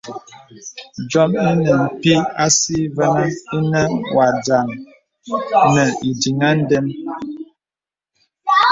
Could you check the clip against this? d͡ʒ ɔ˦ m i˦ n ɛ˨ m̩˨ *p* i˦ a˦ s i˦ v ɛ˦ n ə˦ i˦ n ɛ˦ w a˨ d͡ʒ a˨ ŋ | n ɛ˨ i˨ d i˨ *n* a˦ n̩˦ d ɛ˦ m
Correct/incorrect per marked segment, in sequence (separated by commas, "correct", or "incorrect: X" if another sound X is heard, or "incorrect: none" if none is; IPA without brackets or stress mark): correct, incorrect: ŋ